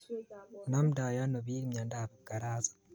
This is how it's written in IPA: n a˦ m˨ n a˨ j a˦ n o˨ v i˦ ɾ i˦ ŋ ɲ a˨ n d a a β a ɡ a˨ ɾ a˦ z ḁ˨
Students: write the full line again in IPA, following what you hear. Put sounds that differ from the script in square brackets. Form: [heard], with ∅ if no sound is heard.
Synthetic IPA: n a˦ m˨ [d] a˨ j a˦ n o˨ [β] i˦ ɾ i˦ [m] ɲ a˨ n d a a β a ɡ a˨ ɾ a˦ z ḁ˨